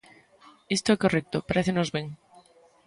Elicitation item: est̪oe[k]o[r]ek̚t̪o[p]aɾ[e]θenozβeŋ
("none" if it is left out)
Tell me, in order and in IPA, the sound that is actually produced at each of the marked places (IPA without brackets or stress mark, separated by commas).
k, r, p, e